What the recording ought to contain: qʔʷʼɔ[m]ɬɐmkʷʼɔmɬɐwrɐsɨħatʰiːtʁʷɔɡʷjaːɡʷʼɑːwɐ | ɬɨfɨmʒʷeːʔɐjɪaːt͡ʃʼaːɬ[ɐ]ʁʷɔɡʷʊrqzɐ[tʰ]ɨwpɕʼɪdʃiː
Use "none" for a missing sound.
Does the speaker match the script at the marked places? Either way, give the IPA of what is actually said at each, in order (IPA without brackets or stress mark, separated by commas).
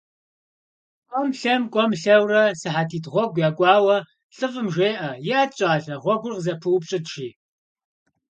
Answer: m, ɐ, pʰ